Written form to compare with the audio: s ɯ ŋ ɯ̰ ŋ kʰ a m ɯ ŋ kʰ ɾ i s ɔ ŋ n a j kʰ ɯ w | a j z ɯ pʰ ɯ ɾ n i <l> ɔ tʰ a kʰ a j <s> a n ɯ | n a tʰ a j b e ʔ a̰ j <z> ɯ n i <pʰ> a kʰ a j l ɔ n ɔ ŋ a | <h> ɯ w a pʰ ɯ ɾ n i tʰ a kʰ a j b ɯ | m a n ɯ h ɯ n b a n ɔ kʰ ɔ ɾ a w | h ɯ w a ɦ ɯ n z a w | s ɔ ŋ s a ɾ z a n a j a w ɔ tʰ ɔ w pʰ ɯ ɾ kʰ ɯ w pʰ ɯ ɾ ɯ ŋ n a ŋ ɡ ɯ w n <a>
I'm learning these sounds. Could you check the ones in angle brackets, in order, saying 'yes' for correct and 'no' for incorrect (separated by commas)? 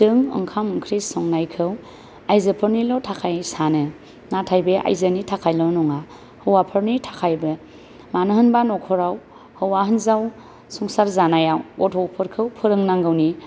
yes, yes, yes, no, yes, no